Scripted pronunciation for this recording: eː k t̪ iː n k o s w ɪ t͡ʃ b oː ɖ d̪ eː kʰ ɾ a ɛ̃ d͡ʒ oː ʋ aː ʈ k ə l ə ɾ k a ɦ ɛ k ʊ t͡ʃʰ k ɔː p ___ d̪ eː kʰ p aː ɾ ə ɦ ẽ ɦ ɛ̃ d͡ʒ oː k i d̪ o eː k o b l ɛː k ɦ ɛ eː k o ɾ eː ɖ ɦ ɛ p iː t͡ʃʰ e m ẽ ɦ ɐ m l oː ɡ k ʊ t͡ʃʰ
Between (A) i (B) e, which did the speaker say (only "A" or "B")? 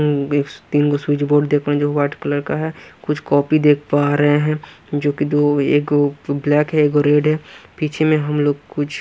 A